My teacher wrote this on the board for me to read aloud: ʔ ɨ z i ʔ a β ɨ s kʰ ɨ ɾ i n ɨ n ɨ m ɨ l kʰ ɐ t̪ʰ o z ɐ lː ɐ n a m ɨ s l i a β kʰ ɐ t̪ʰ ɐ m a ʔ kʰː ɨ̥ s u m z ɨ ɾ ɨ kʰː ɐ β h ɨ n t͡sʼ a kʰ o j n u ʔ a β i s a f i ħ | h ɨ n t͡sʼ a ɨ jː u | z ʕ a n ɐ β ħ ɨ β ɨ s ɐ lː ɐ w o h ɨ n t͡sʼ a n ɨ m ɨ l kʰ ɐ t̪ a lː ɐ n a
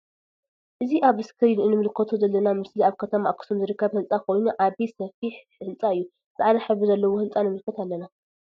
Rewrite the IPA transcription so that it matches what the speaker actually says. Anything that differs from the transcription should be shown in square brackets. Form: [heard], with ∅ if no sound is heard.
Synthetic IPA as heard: ʔ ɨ z i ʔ a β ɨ s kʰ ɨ ɾ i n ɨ n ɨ m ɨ l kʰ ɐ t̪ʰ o z ɐ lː ɐ n a m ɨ s l i a β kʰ ɐ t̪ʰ ɐ m a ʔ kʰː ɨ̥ s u m z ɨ ɾ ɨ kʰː ɐ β h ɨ n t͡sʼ a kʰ o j n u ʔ a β i s [ɐ] f i ħ | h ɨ n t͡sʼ a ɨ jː u | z ʕ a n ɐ [∅] ħ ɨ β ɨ [z] ɐ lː ɐ w o h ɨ n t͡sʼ a n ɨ m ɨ l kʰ ɐ t̪ a lː ɐ n a